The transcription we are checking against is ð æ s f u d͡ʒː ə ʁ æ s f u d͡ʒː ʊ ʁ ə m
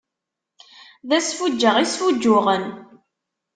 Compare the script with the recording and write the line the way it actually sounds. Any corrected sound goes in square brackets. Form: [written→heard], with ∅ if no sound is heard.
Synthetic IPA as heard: ð æ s f u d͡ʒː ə ʁ [æ→i] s f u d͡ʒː ʊ ʁ ə [m→n]

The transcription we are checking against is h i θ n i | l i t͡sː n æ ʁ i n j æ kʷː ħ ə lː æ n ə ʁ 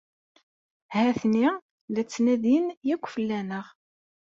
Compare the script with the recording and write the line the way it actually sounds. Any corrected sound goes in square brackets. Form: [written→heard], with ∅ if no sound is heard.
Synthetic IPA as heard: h [i→æ] θ n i | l [i→æ] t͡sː n æ [ʁ→ð] i n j æ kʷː [ħ→f] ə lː æ n ə ʁ

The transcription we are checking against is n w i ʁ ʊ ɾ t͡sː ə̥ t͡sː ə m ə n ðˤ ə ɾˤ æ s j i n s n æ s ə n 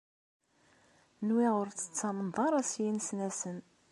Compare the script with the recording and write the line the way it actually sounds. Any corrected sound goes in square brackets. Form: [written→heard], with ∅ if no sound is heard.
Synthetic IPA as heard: n w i ʁ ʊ ɾ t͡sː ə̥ t͡sː [ə→ɑ] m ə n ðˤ [ə→ɑ] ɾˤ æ s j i n s n æ s ə n

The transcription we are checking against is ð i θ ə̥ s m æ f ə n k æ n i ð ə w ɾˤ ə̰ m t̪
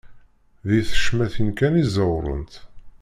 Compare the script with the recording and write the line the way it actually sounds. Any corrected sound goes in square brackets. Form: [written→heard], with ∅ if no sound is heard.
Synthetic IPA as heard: ð i θ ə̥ [s→ʃ] m æ [f→θ] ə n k æ n i [ð→z] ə w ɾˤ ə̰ [m→n] t̪

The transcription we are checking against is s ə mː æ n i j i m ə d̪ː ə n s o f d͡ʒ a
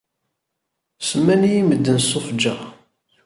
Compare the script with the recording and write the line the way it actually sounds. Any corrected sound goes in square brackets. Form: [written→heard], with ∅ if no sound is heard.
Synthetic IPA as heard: s ə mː æ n i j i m ə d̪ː ə n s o f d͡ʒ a

